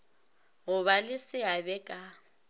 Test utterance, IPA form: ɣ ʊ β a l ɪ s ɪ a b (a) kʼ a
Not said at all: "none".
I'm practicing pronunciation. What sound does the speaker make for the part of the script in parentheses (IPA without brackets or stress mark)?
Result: ɛ